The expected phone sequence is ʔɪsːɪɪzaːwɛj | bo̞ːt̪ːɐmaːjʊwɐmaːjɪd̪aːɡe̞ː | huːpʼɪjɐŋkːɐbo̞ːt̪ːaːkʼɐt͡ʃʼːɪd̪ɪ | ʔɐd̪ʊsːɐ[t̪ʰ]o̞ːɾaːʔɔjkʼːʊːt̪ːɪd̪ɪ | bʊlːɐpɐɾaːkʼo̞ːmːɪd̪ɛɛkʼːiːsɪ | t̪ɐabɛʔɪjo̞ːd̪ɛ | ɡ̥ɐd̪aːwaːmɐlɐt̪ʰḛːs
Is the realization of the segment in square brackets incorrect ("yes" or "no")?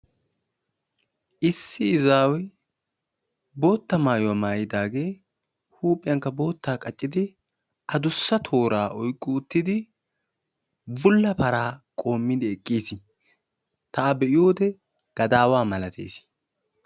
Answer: no